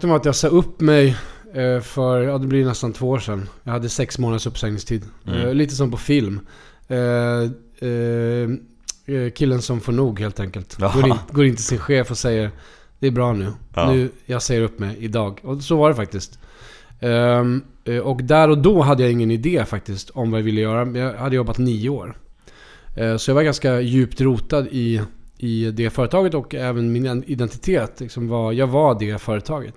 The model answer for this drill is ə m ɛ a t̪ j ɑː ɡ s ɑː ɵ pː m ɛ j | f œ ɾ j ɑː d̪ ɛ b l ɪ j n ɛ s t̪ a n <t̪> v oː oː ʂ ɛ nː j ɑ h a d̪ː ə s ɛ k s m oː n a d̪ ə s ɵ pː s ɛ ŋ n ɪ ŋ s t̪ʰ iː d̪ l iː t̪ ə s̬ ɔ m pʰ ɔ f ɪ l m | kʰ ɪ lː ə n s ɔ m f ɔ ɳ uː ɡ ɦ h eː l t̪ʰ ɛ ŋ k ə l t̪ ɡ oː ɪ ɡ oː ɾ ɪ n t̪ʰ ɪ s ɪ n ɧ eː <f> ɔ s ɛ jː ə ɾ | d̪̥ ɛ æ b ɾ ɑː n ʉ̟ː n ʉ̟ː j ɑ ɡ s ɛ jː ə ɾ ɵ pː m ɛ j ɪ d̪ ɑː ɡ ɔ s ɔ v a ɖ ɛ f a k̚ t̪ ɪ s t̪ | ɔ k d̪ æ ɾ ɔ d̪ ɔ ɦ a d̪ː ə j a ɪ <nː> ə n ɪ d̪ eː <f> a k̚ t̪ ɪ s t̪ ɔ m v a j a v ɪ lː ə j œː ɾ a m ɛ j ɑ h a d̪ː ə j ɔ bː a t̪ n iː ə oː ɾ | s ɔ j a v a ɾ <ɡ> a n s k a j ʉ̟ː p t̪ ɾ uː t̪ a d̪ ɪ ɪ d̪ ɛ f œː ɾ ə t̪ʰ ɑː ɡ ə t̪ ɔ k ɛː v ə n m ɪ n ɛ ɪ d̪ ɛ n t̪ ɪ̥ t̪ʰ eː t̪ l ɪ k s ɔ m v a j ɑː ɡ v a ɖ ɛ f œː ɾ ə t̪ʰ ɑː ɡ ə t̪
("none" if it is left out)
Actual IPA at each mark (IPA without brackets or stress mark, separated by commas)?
t̪ʰ, f, ŋː, f, ɡ